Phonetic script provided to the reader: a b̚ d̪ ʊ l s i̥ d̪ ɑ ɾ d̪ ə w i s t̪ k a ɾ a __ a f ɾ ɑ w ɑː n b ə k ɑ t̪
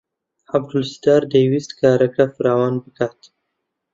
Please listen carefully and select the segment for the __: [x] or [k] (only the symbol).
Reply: k